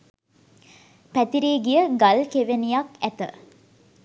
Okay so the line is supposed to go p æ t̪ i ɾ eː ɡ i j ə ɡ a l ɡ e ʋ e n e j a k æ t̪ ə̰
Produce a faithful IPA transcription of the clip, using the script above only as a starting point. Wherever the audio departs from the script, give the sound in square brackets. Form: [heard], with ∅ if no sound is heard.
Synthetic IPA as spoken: p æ t̪ i ɾ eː ɡ i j ə ɡ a l [k] e ʋ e n [i] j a k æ t̪ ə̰

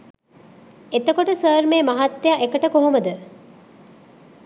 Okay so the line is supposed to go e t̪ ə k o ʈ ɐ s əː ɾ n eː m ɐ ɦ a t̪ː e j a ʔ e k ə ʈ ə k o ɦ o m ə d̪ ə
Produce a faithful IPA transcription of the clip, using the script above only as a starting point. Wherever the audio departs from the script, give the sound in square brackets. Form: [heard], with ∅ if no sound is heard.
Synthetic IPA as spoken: e t̪ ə k o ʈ [ə] s əː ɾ [m] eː m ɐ ɦ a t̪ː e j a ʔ e k ə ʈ ə k o ɦ o m ə d̪ ə

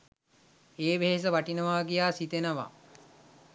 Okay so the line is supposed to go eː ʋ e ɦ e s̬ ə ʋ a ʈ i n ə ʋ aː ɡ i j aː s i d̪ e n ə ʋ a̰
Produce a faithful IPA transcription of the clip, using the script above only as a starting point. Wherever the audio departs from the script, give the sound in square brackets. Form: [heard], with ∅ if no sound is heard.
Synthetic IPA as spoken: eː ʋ e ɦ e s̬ ə ʋ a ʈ i n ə ʋ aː ɡ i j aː s i [t̪] e n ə ʋ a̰

